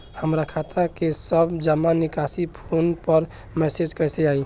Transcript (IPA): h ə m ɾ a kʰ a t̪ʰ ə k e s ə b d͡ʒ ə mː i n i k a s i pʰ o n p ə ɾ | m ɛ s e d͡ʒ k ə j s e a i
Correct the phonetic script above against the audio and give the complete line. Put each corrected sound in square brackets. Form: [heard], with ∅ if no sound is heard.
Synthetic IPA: h ə m ɾ a kʰ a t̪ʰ [a] k e s ə b d͡ʒ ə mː [a] n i k a s i pʰ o n p ə ɾ | m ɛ s e d͡ʒ k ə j s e a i